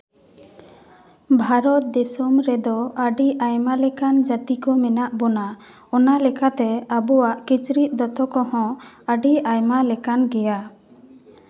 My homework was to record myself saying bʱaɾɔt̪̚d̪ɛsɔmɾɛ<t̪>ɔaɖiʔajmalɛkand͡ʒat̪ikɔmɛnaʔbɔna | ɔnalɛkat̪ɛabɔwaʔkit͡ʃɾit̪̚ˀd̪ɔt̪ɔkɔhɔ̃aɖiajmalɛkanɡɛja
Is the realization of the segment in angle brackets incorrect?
yes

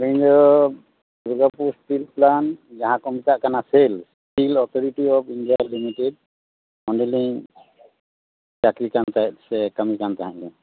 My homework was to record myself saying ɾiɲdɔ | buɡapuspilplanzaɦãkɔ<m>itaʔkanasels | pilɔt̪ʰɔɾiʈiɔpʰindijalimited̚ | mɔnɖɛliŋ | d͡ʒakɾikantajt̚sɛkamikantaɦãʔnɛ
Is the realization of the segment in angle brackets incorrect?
no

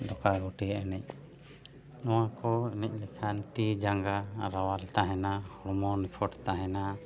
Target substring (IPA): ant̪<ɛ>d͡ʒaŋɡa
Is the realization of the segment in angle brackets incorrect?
yes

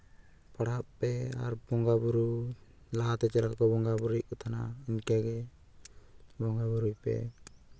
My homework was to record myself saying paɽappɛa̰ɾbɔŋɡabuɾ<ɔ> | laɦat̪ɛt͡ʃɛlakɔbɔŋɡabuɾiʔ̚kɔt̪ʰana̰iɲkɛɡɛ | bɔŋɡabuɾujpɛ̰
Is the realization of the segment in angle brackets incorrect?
yes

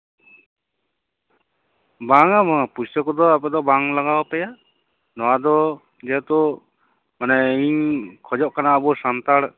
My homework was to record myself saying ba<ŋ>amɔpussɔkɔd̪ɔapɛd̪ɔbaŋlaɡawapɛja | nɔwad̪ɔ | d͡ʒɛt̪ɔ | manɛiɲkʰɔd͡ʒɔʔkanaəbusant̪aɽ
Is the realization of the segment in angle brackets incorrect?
no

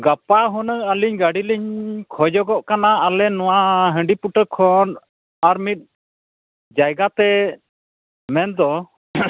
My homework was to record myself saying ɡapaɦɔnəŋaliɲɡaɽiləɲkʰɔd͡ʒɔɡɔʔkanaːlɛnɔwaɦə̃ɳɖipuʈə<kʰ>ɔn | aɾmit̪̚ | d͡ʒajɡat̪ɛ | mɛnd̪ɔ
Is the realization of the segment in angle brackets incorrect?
no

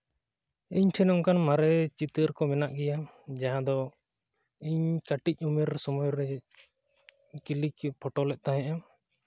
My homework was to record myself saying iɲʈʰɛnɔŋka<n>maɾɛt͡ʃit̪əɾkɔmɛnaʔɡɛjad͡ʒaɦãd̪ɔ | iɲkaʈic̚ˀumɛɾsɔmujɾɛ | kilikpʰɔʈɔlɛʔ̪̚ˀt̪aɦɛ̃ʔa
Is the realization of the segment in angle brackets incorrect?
no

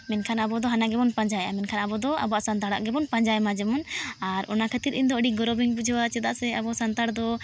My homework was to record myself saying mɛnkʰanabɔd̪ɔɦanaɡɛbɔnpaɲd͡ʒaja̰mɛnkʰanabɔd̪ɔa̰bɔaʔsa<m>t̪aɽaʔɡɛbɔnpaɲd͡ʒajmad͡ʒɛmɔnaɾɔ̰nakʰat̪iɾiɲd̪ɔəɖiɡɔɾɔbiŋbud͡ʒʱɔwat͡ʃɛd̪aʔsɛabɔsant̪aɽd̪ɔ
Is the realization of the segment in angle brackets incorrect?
yes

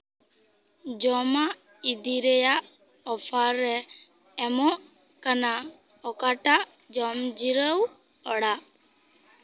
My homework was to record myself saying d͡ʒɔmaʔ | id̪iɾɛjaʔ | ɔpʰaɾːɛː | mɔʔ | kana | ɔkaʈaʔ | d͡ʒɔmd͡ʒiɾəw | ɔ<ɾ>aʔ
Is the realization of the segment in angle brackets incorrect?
yes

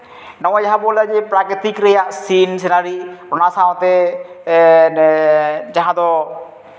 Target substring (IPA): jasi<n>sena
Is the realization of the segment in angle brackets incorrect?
no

